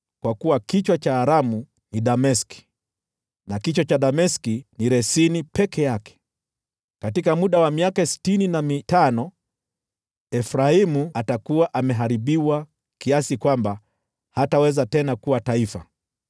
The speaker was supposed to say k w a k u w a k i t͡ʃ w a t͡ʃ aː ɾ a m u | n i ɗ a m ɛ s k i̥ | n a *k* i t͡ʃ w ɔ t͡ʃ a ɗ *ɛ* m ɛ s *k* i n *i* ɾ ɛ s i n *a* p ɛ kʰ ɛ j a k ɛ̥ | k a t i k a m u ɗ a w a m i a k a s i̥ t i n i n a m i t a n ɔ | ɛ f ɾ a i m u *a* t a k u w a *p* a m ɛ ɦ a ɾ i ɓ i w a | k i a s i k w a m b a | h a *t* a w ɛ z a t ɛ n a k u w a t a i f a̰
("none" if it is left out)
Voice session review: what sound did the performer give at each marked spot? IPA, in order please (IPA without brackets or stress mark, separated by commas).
k, a, k, i, i, a, ʔ, t